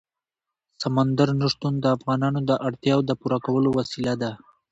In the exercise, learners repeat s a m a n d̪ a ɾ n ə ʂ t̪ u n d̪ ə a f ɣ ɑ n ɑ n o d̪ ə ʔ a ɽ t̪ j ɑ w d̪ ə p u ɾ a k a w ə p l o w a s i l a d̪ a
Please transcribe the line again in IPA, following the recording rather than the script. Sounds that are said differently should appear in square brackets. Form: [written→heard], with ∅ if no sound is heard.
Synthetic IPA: s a m a n d̪ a ɾ n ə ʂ t̪ u n d̪ ə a f ɣ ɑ n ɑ n o d̪ ə ʔ a ɽ t̪ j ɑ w d̪ ə p u ɾ a k a w ə [p→∅] l o w a s i l a d̪ a